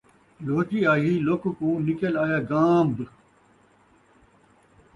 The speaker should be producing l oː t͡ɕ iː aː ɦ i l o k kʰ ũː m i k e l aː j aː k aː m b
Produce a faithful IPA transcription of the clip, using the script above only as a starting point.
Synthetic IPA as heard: l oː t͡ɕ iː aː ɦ i l o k k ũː n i k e l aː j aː ɡ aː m b